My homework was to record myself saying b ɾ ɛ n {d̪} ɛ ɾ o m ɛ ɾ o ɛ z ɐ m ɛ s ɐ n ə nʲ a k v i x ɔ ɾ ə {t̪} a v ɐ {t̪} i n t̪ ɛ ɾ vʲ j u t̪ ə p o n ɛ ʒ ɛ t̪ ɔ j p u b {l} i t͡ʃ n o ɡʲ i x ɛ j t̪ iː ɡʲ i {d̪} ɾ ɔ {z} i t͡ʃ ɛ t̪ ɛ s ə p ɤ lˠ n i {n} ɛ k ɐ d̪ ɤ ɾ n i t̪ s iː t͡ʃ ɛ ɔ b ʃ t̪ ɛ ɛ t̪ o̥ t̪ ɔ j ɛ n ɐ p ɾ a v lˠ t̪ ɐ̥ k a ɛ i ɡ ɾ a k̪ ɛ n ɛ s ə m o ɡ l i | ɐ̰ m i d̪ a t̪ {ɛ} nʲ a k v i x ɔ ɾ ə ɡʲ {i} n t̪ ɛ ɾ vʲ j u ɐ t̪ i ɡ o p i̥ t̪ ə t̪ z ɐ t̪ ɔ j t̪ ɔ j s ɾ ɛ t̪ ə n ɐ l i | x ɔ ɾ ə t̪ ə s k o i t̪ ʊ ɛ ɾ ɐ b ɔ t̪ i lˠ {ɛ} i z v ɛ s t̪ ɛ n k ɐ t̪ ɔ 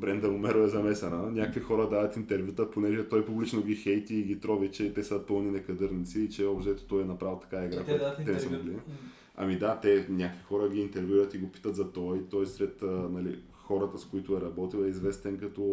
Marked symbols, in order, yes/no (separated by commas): yes, no, yes, yes, no, no, yes, yes, no, yes